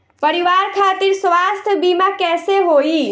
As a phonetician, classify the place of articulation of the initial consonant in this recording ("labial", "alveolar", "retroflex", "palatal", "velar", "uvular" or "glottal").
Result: labial